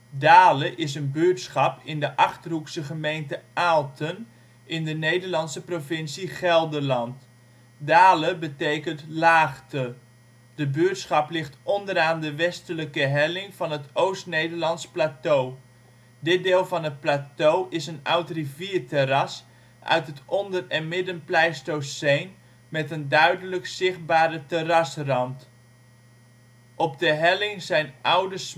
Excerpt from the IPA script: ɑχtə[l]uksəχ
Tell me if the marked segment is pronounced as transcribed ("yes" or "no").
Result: no